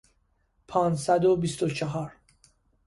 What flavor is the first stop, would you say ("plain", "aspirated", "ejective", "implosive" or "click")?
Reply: aspirated